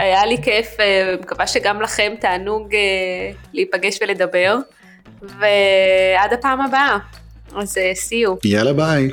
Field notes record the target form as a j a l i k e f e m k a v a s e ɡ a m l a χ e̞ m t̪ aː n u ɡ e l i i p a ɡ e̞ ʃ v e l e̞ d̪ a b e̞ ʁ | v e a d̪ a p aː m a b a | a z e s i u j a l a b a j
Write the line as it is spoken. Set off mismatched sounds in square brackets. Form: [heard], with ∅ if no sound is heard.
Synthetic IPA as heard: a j a l i k e f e m k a v a [ʃ] e ɡ a m l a χ e̞ m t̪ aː n u ɡ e l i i p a ɡ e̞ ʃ v e l e̞ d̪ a b e̞ ʁ | v e a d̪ a p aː m a b a | a z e s i u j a l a b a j